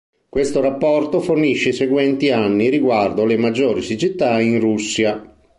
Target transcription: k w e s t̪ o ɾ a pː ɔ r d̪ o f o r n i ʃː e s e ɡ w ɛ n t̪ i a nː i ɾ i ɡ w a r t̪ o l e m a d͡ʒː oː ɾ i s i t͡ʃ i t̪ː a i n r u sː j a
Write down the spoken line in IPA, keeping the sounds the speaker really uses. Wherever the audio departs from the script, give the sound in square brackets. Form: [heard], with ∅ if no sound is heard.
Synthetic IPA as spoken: k w e s t̪ o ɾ a pː ɔ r [t̪] o f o r n i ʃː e s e ɡ w ɛ n t̪ i a nː i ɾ i ɡ w a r [d̪] o l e m a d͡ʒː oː ɾ i s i t͡ʃ i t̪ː a i n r u sː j a